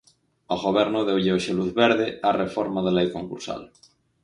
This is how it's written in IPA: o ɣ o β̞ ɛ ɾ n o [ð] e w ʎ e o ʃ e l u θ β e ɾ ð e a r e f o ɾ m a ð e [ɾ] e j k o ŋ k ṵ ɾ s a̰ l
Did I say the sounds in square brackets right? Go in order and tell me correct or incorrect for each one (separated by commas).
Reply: correct, incorrect